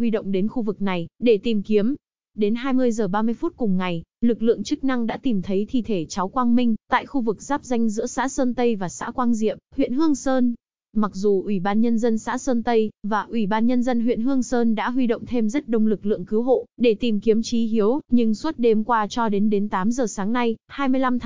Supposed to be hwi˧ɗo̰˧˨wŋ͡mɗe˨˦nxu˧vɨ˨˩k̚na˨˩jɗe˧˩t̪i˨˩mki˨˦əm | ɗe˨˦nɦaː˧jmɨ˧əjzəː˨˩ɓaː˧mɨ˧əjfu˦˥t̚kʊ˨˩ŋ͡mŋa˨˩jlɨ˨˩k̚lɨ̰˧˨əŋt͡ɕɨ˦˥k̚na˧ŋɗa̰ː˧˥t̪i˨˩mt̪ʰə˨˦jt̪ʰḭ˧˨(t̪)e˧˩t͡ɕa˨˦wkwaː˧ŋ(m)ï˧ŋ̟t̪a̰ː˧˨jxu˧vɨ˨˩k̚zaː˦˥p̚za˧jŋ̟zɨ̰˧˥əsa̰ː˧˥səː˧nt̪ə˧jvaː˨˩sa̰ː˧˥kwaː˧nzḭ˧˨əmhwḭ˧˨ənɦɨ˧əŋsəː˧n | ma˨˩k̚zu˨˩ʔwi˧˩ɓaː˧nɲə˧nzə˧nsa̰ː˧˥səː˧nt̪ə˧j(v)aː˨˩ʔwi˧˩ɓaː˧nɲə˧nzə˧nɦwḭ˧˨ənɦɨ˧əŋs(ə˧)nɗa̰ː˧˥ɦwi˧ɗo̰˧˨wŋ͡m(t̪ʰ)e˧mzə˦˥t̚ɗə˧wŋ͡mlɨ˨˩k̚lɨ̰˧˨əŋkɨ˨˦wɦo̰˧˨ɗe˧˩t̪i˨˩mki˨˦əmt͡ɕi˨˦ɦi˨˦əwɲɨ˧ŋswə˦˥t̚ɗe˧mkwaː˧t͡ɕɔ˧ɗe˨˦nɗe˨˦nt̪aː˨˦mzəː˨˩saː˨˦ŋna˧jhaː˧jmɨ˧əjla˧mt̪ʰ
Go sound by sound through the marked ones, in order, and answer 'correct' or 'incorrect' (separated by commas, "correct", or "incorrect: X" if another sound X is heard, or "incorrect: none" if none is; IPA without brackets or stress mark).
incorrect: t̪ʰ, correct, correct, incorrect: əː˧, correct